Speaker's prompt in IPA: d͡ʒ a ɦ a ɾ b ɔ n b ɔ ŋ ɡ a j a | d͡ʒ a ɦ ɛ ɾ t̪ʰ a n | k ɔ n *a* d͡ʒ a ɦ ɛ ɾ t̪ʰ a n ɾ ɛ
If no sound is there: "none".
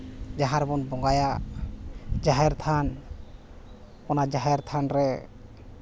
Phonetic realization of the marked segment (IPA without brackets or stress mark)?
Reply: a